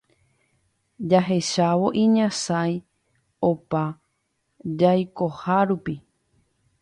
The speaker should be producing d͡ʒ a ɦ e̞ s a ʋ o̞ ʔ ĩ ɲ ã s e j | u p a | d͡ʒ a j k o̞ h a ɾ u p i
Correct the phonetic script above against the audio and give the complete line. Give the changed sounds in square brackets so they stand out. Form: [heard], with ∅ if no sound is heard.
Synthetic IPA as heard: d͡ʒ a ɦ e̞ [ʃ] a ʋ o̞ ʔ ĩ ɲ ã s [a] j | [o] p a | d͡ʒ a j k o̞ h a ɾ u p i

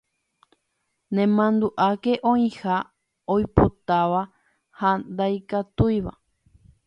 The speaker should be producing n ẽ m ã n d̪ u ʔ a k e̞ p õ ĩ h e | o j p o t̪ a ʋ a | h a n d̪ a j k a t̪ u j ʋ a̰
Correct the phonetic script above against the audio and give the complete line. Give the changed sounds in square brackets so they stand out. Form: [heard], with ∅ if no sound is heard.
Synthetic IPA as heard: n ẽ m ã n d̪ u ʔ a k e̞ [ʔ] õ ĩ h [a] | o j p o t̪ a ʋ a | h a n d̪ a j k a t̪ u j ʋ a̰

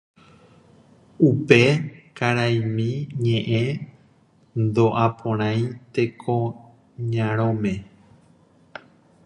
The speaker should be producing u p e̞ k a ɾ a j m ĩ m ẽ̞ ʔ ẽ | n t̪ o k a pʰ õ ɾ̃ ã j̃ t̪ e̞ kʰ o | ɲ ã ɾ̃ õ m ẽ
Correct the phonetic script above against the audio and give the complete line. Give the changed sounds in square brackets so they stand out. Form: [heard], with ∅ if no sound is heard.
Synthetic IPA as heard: u p e̞ k a ɾ a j m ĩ [ɲ] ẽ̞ ʔ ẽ | n [d̪] o [ʔ] a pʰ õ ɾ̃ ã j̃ t̪ e̞ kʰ o | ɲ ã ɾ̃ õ m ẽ

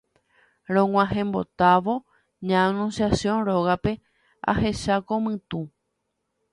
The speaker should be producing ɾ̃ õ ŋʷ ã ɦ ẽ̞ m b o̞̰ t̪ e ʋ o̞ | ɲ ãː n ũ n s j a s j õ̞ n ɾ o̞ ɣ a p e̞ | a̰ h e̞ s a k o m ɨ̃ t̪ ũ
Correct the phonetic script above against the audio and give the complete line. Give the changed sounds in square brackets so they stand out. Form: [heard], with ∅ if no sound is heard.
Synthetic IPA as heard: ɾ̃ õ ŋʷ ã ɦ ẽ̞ m b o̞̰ t̪ [a] ʋ o̞ | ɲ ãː n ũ n s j a s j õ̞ n ɾ o̞ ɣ a p e̞ | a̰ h e̞ [ʃ] a k o m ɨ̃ t̪ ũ

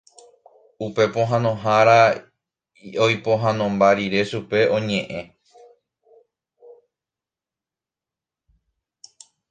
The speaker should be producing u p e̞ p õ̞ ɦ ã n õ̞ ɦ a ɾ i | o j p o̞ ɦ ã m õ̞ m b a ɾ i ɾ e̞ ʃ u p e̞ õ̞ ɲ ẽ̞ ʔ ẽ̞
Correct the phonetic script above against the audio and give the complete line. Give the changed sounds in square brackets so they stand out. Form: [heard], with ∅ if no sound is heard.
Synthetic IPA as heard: u p e̞ p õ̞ ɦ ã n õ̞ ɦ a ɾ [a] | o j p o̞ ɦ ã [n] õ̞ m b a ɾ i ɾ e̞ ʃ u p e̞ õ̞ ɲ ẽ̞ ʔ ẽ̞

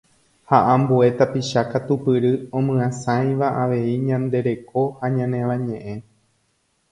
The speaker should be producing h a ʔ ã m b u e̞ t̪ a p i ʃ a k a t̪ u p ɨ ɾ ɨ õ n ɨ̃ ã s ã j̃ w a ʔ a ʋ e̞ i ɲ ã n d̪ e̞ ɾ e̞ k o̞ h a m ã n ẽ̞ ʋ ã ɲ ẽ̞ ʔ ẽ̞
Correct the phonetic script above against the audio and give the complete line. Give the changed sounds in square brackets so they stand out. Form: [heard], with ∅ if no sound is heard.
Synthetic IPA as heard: h a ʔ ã m b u e̞ t̪ a p i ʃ a k a t̪ u p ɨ ɾ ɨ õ [m] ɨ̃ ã s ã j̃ [ʋ] a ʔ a ʋ e̞ i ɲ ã n d̪ e̞ ɾ e̞ k o̞ h a [ɲ] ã n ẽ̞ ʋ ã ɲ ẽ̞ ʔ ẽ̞

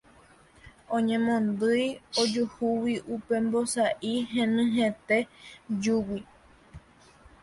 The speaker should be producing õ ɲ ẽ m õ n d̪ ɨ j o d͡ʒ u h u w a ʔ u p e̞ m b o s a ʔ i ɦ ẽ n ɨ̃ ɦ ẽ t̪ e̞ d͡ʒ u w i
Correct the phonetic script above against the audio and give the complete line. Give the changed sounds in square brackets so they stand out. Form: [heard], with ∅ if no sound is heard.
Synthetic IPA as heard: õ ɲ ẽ m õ n d̪ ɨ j o d͡ʒ u h u w [i] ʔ u p e̞ m b o s a ʔ i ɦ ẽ n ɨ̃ ɦ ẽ t̪ e̞ d͡ʒ u w i

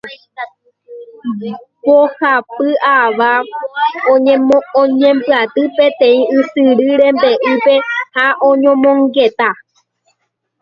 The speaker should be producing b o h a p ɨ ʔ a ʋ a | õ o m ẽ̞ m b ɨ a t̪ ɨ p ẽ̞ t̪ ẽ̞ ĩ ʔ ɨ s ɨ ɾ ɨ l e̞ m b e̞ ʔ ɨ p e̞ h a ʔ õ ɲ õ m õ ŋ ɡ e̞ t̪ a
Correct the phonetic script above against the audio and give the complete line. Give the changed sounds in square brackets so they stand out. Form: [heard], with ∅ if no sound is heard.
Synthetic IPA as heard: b o h a p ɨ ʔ a ʋ a | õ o [ɲ] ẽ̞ m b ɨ a t̪ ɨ p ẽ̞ t̪ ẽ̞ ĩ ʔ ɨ s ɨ ɾ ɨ [ɾ] e̞ m b e̞ ʔ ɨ p e̞ h a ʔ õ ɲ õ m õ ŋ ɡ e̞ t̪ a

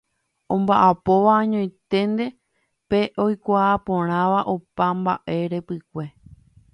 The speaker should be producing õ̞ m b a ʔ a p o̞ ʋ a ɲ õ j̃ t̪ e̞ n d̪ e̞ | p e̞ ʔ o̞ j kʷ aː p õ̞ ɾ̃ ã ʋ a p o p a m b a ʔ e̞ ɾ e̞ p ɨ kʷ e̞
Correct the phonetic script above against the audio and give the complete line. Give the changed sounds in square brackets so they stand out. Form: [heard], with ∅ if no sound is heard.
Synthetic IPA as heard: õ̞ m b a ʔ a p o̞ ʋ a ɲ õ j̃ t̪ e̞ n d̪ e̞ | p e̞ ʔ o̞ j kʷ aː p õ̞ ɾ̃ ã ʋ a [ʔ] o p a m b a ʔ e̞ ɾ e̞ p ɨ kʷ e̞

